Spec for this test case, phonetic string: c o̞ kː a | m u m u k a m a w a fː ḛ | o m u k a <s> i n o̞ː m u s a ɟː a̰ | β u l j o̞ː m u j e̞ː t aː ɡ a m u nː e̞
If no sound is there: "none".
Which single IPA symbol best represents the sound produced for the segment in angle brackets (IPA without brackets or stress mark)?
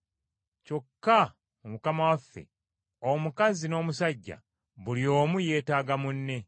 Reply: z